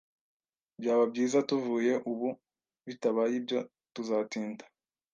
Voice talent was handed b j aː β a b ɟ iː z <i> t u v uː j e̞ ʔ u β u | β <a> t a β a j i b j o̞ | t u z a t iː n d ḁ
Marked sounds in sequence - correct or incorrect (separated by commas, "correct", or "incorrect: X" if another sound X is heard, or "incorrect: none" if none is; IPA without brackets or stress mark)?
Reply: incorrect: a, incorrect: i